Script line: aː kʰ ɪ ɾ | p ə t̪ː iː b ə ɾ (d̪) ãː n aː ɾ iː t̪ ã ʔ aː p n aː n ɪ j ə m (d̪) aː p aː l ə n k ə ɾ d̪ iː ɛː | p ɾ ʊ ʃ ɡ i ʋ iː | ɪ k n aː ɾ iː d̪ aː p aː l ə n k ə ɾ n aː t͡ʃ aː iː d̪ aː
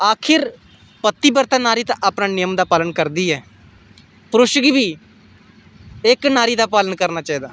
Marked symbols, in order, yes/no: no, yes

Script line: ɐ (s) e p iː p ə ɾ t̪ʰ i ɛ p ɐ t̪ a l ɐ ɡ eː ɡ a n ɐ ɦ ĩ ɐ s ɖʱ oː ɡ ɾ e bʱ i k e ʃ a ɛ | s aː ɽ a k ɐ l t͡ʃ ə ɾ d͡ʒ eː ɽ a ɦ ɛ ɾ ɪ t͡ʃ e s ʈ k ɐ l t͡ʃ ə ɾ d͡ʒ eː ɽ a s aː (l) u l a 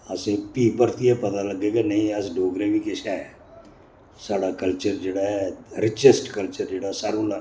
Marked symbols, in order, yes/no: yes, no

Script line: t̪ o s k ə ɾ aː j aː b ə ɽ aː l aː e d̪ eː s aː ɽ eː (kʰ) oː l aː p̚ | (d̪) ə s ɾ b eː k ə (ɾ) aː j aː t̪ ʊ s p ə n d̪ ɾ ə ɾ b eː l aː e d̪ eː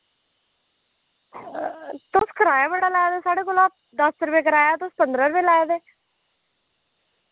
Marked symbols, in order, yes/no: no, yes, yes

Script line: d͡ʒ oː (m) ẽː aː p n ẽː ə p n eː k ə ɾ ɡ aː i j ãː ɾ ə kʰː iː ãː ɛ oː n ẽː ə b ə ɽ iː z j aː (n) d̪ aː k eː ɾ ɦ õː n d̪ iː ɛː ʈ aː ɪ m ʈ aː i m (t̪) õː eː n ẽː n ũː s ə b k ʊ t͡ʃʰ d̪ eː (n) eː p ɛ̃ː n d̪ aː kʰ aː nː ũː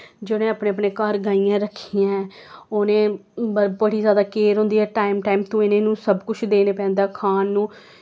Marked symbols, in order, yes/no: no, no, yes, yes

